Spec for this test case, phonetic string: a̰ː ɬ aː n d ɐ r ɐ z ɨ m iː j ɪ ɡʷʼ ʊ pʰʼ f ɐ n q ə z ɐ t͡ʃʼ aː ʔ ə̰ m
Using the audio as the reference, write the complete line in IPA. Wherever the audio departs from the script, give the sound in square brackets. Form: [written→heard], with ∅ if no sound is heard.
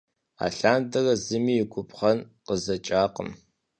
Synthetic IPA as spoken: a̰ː ɬ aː n d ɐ r ɐ z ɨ m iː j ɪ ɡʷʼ ʊ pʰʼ [f→χ] ɐ n q ə z ɐ t͡ʃʼ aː [ʔ→q] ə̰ m